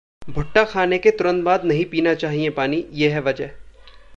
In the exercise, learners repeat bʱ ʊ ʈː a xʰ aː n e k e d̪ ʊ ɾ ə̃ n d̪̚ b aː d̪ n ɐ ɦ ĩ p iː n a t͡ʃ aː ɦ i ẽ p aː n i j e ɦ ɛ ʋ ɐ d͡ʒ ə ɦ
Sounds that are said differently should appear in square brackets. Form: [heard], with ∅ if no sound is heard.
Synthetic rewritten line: bʱ ʊ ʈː a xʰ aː n e k e [t̪] ʊ ɾ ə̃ n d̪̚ b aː d̪ n ɐ ɦ ĩ p iː n a t͡ʃ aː ɦ i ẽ p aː n i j e ɦ ɛ ʋ ɐ d͡ʒ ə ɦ

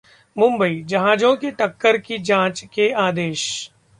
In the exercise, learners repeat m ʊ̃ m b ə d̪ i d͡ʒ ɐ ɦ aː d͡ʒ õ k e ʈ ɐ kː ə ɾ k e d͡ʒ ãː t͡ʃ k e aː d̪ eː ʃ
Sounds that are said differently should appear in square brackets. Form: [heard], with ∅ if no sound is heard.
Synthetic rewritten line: m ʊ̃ m b ə [∅] i d͡ʒ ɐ ɦ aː d͡ʒ õ k e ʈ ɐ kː ə ɾ k [i] d͡ʒ ãː t͡ʃ k e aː d̪ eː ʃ

